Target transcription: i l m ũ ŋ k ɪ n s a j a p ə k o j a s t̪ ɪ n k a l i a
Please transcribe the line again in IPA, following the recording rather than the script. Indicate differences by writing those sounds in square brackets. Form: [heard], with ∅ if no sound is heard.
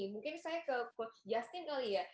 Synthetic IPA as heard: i [∅] m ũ ŋ k ɪ n s a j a [k] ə k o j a s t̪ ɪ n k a l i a